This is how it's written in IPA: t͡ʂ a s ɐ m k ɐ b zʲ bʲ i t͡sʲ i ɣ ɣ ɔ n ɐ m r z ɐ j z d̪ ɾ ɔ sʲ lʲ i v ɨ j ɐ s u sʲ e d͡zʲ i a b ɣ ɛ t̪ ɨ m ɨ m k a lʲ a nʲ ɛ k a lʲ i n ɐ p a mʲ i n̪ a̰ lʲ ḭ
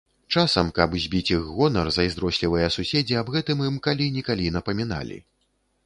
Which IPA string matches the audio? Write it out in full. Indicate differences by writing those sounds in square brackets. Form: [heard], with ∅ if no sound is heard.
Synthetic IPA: t͡ʂ a s ɐ m k ɐ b zʲ bʲ i t͡sʲ i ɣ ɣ ɔ n ɐ [∅] r z ɐ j z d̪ ɾ ɔ sʲ lʲ i v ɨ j ɐ s u sʲ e d͡zʲ i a b ɣ ɛ t̪ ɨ m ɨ m k a lʲ [i] nʲ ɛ k a lʲ i n ɐ p [ɐ] mʲ i n̪ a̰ lʲ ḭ